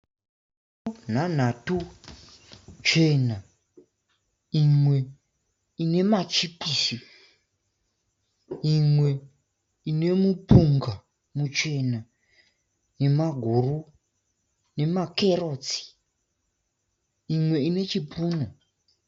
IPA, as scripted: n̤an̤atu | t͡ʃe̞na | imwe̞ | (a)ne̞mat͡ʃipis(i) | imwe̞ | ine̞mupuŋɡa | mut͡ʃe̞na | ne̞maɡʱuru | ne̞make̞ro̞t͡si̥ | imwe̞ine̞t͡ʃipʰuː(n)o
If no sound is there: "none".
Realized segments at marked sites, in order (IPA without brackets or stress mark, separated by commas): i, i, n